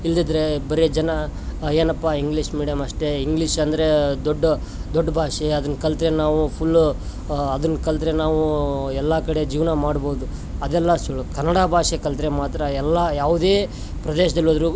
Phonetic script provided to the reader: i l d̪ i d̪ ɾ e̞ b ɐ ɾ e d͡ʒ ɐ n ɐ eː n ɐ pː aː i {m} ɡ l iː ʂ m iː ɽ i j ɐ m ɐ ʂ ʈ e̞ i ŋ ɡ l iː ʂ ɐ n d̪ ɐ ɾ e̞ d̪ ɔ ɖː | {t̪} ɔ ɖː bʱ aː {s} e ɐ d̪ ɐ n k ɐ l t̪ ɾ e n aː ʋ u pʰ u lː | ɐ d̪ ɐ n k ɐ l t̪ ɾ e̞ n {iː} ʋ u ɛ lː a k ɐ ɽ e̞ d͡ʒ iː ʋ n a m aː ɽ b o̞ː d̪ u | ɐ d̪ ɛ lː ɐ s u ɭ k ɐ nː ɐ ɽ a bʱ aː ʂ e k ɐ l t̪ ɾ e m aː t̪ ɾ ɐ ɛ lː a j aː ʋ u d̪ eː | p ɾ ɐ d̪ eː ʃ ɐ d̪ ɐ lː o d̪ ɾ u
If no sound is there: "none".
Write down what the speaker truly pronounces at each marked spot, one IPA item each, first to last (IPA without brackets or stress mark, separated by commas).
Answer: ŋ, d̪, ʂ, aː